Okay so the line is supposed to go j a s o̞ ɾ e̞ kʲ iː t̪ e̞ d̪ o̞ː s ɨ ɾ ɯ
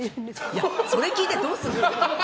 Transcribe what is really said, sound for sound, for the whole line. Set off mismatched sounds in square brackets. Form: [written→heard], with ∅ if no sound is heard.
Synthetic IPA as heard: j a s o̞ ɾ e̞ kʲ iː t̪ e̞ d̪ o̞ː s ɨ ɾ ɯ